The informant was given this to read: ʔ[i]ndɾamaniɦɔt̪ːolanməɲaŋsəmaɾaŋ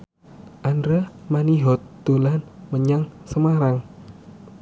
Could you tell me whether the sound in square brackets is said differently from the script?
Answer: yes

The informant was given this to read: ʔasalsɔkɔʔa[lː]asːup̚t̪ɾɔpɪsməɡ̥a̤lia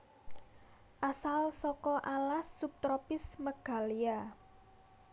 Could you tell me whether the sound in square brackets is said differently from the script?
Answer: yes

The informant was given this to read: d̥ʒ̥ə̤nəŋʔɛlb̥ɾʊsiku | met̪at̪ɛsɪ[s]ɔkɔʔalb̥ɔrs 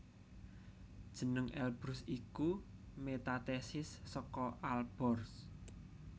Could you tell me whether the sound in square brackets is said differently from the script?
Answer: yes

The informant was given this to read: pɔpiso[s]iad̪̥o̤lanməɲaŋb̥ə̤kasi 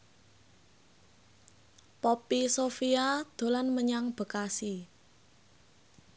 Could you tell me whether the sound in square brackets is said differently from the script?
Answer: yes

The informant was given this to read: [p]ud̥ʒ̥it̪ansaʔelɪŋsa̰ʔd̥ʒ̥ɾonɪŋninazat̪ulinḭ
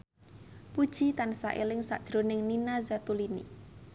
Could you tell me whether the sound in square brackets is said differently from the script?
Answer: no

